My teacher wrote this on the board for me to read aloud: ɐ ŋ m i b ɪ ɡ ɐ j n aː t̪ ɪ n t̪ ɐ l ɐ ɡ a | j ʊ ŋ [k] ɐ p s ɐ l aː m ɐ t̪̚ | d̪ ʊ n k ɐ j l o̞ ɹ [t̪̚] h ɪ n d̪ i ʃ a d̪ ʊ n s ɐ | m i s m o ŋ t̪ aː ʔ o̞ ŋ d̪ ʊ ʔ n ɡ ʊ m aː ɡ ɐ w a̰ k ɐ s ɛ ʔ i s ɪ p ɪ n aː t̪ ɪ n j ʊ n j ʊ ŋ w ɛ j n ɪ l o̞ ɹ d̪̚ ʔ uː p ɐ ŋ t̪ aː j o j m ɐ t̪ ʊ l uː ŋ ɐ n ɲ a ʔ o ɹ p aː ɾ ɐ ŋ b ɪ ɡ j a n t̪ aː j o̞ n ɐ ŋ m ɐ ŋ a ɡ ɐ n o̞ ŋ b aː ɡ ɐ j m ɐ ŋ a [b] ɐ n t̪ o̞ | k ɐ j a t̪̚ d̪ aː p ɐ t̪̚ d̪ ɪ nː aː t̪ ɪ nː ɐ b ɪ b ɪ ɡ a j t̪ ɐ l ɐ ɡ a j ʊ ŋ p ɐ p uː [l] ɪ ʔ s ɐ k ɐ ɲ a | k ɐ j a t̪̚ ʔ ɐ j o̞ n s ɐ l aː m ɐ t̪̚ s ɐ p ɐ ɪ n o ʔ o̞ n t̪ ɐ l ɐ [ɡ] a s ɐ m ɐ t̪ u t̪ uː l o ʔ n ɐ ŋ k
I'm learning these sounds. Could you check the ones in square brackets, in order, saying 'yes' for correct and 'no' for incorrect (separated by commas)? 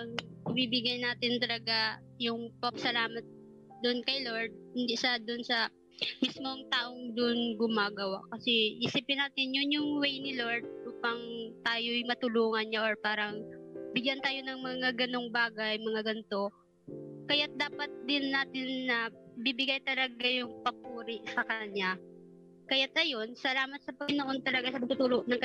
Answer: no, no, no, no, yes